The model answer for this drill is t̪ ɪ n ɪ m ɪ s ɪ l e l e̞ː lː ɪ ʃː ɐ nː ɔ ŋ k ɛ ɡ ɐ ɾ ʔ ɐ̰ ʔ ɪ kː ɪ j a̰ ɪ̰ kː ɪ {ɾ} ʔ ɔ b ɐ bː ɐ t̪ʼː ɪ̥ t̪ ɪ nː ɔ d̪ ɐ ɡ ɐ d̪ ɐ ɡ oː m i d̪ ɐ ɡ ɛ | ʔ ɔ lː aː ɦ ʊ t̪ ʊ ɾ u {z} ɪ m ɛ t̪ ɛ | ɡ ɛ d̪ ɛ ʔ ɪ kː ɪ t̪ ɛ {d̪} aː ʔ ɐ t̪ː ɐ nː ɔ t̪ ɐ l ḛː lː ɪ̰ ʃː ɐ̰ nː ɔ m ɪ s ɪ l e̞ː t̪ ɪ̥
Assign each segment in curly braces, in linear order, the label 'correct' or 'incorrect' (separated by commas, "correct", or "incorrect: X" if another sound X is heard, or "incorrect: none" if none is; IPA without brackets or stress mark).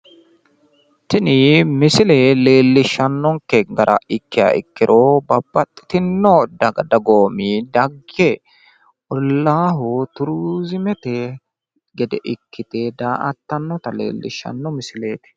correct, correct, correct